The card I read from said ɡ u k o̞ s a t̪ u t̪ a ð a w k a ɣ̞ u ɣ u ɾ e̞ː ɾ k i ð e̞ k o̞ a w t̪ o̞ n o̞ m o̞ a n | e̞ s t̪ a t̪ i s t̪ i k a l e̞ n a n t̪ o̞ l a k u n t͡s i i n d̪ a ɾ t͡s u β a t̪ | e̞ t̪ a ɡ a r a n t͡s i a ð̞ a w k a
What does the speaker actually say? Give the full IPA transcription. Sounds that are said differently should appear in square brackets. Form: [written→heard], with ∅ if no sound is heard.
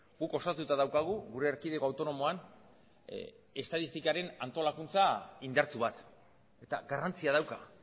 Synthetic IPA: ɡ u k o̞ s a t̪ u t̪ a ð a w k a ɣ̞ u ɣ u ɾ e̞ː ɾ k i ð e̞ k o̞ a w t̪ o̞ n o̞ m o̞ a n | e̞ s t̪ a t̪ i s t̪ i k a [l→ɾ] e̞ n a n t̪ o̞ l a k u n t͡s [i→a] i n d̪ a ɾ t͡s u β a t̪ | e̞ t̪ a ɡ a r a n t͡s i a ð̞ a w k a

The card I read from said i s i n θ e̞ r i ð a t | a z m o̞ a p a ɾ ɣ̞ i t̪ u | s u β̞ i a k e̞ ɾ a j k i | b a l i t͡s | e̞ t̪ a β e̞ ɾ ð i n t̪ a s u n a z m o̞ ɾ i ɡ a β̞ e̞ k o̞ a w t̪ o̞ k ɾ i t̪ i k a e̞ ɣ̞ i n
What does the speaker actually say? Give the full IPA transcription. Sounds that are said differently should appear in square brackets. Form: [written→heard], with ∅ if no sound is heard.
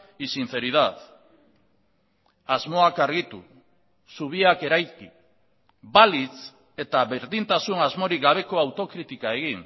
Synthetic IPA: i s i n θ e̞ [r→ɾ] i ð a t | a z m o̞ a [p→k] a ɾ ɣ̞ i t̪ u | s u β̞ i a k e̞ ɾ a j k i | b a l i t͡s | e̞ t̪ a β e̞ ɾ ð i n t̪ a s u n a z m o̞ ɾ i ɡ a β̞ e̞ k o̞ a w t̪ o̞ k ɾ i t̪ i k a e̞ ɣ̞ i n

